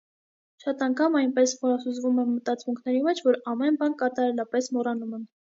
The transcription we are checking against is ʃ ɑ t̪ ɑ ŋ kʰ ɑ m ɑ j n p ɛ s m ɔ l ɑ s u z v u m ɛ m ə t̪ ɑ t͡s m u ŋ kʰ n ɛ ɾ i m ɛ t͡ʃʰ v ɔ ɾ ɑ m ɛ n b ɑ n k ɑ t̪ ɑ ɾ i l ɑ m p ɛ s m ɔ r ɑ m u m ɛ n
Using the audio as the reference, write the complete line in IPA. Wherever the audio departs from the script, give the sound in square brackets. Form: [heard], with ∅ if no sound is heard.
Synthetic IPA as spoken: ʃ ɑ t̪ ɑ ŋ kʰ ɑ m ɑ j n p ɛ s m ɔ [ɾ] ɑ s u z v u m ɛ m ə t̪ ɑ t͡s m u ŋ kʰ n ɛ ɾ i m ɛ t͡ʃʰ v ɔ ɾ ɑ m ɛ n b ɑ n k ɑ t̪ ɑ ɾ [ɛ] l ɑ [∅] p ɛ s m ɔ r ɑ [n] u m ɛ n